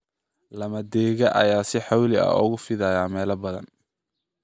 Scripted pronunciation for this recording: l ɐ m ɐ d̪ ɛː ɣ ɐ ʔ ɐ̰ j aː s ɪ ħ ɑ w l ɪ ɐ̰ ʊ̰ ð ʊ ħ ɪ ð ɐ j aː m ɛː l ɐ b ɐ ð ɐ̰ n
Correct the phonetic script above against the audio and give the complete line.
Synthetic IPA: l ɐ m ɐ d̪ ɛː ɣ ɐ ʔ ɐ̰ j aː s ɪ ħ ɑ w l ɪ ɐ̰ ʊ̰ ɣ ʊ f ɪ ð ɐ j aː m ɛː l ɐ b ɐ ð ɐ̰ n